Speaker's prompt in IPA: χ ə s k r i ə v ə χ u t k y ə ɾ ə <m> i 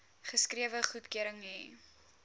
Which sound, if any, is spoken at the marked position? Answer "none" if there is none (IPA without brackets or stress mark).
ŋ